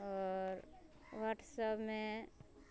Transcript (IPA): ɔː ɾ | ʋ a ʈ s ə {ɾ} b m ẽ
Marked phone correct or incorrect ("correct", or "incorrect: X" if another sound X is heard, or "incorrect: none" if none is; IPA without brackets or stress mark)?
incorrect: none